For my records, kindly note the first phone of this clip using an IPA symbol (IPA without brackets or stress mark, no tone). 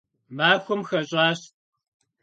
m